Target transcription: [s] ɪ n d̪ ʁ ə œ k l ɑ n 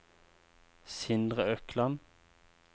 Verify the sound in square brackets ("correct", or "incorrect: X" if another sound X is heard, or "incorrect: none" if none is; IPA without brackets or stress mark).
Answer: correct